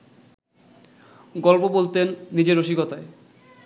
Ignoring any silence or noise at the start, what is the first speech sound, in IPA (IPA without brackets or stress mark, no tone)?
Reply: ɡ